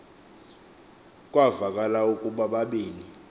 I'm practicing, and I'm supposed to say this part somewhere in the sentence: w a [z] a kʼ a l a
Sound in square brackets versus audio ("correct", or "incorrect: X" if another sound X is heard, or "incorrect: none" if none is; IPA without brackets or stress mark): incorrect: v